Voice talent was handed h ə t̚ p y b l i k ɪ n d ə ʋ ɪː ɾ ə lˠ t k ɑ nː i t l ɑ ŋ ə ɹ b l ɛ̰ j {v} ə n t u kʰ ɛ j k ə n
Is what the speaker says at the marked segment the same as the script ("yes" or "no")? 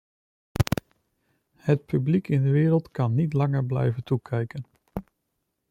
yes